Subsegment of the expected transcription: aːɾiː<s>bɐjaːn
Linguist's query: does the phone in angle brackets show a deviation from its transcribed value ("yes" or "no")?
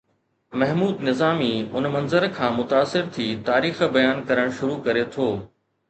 yes